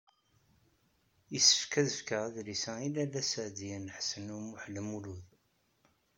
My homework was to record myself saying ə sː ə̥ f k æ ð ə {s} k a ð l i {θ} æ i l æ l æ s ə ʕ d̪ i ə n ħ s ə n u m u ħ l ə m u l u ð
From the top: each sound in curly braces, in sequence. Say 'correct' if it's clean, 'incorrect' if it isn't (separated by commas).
incorrect, incorrect